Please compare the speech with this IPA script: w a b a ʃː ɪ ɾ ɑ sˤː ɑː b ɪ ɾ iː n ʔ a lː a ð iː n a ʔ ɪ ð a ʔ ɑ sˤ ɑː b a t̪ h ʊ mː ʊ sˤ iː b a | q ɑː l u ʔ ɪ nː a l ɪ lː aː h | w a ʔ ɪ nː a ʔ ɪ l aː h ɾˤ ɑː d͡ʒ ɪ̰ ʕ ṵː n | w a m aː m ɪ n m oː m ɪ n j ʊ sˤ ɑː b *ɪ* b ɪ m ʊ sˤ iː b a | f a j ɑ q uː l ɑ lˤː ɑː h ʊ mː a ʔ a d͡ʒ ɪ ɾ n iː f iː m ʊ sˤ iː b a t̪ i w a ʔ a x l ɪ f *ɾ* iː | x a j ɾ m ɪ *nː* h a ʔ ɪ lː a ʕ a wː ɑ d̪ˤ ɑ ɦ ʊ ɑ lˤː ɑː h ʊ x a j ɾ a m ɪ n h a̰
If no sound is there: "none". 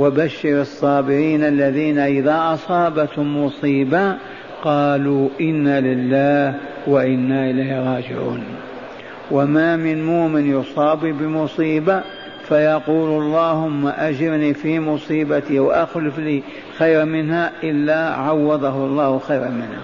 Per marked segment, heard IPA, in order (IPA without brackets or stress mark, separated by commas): i, l, n